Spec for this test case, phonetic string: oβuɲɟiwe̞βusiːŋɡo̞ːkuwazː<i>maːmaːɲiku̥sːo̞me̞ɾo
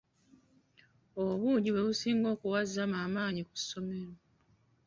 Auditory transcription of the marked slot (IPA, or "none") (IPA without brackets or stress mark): a